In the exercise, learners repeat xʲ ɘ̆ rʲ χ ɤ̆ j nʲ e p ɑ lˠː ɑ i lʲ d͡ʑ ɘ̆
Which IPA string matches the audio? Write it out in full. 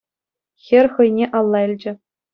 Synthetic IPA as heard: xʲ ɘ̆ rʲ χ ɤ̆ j nʲ e ʔ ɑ lˠː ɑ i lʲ d͡ʑ ɘ̆